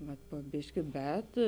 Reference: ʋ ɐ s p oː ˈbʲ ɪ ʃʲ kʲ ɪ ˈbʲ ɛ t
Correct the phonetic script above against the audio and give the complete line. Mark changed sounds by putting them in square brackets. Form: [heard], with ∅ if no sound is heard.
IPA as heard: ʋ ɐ [t] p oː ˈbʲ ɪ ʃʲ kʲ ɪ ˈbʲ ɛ t